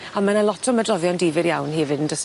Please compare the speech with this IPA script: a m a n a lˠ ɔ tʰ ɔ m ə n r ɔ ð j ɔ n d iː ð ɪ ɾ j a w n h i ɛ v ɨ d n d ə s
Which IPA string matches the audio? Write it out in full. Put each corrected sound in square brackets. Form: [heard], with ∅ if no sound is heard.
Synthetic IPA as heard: a m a n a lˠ ɔ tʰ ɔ m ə [d] r ɔ [v] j ɔ n d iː [v] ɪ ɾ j a w n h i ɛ v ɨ d n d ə s